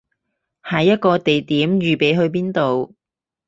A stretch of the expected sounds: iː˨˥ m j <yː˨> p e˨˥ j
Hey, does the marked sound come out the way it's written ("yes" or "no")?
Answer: yes